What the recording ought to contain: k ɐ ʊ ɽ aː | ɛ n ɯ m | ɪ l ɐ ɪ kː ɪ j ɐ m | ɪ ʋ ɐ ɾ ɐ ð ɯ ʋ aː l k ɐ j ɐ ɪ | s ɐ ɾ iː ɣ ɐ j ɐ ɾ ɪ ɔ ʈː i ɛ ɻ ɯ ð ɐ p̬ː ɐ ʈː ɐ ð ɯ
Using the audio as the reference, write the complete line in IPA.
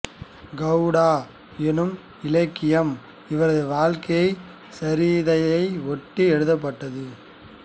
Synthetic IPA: ɡ ɐ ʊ ɽ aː | ɛ n ɯ m | ɪ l ɐ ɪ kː ɪ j ɐ m | ɪ ʋ ɐ ɾ ɐ ð ɯ ʋ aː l k ɐ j ɐ ɪ | s ɐ ɾ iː ð ɐ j ɐ ɪ ɔ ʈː i ɛ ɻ ɯ ð ɐ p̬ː ɐ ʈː ɐ ð ɯ